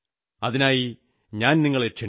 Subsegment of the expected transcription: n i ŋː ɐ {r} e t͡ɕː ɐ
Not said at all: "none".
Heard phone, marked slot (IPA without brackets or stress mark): ɭ